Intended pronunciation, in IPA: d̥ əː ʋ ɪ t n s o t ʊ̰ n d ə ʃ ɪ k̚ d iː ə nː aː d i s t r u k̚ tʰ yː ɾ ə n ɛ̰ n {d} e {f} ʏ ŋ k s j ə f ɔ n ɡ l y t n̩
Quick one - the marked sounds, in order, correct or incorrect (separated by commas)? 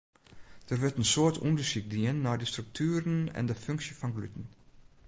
correct, correct